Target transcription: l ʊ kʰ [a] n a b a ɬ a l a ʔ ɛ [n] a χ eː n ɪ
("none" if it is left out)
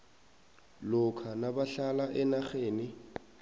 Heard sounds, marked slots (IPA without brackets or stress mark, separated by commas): a, n